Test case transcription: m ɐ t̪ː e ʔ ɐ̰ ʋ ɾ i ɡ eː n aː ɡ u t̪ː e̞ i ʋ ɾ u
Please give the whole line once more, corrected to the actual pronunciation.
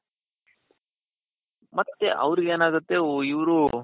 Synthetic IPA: m ɐ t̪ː e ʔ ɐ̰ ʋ ɾ i ɡ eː n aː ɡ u t̪ː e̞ i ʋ ɾ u